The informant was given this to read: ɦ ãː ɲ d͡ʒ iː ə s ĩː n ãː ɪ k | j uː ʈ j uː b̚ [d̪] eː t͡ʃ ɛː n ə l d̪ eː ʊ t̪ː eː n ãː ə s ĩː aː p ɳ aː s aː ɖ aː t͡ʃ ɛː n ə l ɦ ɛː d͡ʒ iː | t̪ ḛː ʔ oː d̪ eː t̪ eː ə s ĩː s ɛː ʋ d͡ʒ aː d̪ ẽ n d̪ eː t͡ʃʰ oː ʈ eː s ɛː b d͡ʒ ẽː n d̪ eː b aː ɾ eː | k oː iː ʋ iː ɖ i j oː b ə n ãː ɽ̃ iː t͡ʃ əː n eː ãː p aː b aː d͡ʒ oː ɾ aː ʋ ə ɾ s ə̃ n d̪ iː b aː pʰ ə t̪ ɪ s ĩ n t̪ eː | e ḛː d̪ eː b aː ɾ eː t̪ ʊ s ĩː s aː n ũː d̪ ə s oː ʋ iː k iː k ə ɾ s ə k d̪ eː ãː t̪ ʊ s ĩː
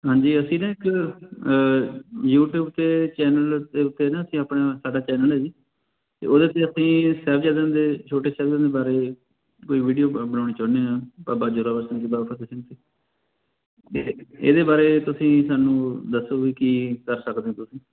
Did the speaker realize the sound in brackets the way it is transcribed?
no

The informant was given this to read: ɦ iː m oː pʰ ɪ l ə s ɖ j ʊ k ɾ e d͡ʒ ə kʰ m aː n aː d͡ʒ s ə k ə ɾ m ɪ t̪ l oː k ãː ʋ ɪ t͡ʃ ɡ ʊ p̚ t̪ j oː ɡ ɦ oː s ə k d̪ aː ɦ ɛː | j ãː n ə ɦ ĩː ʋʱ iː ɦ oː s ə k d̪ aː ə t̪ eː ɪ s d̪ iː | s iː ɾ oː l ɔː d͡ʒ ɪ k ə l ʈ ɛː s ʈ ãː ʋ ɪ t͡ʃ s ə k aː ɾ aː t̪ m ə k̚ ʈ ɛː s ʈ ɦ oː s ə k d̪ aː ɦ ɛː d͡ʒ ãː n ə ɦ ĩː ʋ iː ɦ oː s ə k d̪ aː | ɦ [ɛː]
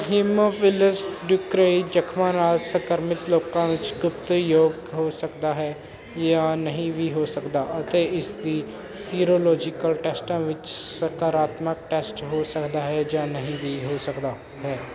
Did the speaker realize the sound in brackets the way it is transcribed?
yes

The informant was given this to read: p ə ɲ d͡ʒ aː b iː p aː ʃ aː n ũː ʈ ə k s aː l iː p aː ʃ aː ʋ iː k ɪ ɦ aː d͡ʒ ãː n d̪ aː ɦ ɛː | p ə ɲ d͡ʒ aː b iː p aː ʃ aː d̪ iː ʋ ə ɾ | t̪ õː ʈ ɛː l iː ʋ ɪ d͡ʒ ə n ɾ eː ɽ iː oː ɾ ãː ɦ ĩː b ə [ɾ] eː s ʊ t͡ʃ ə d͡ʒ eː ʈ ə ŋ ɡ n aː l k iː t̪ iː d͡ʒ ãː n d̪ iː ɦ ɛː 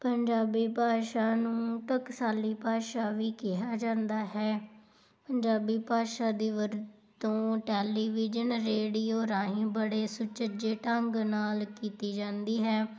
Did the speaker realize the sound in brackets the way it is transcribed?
no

